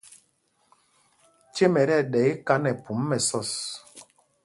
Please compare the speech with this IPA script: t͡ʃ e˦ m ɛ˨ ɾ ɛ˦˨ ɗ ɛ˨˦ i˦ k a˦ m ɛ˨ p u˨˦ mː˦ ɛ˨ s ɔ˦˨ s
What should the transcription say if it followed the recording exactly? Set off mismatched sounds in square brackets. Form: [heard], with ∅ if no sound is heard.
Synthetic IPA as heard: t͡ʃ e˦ m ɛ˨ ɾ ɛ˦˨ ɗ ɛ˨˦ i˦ k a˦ [n] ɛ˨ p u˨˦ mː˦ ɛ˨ s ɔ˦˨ s

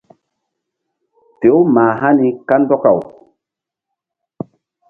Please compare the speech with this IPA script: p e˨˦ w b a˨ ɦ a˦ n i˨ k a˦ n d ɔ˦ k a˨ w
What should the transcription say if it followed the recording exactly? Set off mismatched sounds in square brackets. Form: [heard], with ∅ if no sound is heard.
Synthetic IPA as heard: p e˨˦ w [m] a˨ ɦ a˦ n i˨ k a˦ n d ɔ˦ k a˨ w

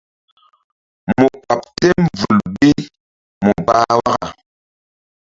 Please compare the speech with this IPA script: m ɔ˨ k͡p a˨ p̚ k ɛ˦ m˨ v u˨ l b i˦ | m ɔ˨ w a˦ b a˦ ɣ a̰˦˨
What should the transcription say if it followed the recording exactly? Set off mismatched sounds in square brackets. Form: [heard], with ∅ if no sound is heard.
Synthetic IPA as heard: m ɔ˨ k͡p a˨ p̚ [t] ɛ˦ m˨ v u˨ l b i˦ | m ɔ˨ [b] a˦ [w] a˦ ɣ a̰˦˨

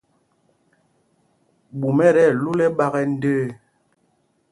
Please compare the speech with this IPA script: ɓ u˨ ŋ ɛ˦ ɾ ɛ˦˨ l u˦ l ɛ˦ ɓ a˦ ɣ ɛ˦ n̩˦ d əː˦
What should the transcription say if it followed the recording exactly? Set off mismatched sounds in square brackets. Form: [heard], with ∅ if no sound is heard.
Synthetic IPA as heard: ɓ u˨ [m] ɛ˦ ɾ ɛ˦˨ l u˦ l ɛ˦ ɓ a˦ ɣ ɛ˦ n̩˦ d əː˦

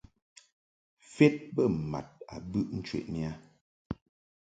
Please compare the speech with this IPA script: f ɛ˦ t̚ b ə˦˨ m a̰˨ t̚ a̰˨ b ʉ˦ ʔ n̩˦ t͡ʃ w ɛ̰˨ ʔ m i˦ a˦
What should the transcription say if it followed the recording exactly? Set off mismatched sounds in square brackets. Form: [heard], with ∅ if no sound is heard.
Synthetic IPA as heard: f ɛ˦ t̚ b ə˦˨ m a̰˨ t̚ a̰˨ b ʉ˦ ʔ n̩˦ t͡ʃ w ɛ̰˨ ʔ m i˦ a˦

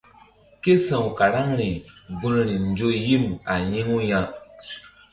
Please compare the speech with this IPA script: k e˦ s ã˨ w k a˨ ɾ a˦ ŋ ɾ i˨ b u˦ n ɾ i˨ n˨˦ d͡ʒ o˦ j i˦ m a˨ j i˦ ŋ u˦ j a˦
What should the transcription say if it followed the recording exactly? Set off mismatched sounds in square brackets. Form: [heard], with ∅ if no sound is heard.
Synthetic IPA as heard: k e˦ s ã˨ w k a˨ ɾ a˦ ŋ ɾ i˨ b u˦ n ɾ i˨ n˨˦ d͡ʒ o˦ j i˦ m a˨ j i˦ ŋ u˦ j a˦

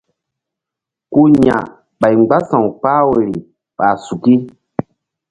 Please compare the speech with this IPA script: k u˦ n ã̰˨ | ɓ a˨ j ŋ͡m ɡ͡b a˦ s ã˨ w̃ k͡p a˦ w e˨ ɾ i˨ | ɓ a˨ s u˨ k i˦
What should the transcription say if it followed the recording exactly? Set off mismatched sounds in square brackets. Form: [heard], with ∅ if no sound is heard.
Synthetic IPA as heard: k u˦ [ɲ] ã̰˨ | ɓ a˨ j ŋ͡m ɡ͡b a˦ s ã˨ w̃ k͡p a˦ w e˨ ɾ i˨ | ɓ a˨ s u˨ k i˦

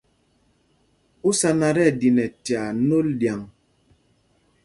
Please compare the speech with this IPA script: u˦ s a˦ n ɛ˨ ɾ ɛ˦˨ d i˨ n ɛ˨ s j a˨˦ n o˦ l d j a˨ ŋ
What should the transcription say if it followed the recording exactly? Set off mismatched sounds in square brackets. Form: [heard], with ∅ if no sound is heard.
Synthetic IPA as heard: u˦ s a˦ n [a˨] ɾ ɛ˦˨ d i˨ n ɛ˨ [t] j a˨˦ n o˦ l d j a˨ ŋ

